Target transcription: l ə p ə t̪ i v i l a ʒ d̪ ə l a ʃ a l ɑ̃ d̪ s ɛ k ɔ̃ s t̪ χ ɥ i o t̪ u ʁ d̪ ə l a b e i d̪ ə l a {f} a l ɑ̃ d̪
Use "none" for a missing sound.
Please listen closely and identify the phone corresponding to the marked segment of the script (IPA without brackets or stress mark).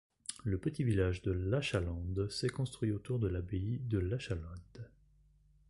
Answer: ʃ